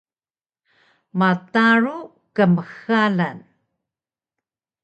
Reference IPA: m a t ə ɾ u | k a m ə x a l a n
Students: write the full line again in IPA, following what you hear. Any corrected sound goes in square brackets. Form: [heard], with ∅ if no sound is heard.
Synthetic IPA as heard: m a t [a] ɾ u | k [ə] m ə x a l a n